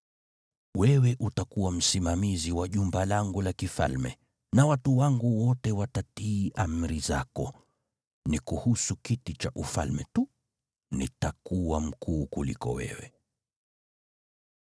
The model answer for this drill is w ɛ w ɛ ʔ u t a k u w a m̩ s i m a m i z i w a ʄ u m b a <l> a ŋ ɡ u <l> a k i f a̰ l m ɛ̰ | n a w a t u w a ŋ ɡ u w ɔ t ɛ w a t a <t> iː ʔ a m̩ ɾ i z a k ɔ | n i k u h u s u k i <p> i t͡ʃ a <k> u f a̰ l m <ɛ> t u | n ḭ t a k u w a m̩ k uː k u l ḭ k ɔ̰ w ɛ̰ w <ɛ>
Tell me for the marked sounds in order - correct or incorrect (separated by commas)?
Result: correct, correct, correct, incorrect, incorrect, correct, correct